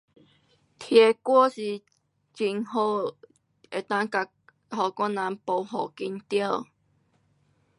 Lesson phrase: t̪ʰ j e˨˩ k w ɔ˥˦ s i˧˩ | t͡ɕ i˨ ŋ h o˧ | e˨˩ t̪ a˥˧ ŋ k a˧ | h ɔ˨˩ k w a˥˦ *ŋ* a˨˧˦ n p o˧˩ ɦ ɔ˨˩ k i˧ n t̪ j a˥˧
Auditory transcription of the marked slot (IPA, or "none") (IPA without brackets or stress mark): n